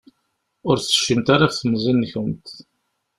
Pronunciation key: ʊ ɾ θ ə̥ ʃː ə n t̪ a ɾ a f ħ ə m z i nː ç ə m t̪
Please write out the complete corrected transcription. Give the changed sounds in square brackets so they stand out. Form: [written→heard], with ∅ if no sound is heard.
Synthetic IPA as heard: ʊ ɾ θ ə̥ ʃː ə [n→m] t̪ a ɾ a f [ħ→θ] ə m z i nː ç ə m t̪